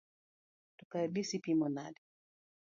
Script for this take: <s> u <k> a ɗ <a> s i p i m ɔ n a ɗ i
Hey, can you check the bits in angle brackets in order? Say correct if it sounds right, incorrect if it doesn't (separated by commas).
incorrect, correct, incorrect